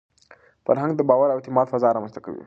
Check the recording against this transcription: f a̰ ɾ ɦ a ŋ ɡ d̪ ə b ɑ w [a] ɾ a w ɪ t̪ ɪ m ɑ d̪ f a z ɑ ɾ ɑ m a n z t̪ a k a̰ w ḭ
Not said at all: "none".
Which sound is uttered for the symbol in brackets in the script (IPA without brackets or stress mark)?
a